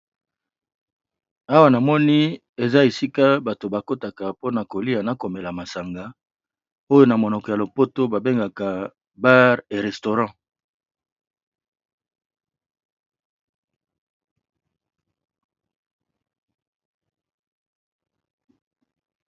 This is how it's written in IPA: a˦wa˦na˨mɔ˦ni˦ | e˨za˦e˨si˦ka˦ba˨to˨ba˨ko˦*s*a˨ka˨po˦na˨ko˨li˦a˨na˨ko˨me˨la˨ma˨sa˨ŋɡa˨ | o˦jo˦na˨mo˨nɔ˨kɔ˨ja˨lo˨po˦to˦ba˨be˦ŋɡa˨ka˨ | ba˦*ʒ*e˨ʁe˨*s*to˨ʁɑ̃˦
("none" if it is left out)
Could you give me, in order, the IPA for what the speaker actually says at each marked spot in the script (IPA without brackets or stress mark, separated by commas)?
t, ʁ, s